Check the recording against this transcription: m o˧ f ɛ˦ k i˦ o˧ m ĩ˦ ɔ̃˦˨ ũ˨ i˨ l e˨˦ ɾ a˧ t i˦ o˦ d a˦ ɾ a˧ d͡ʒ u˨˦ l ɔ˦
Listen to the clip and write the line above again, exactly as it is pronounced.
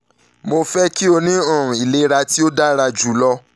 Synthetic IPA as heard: m o˧ f ɛ˦ k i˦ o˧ n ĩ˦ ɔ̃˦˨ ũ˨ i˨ l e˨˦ ɾ a˧ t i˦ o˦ d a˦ ɾ a˧ d͡ʒ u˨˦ l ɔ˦